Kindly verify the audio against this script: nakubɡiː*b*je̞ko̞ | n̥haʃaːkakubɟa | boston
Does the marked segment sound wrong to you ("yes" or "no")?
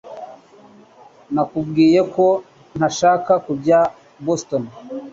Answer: yes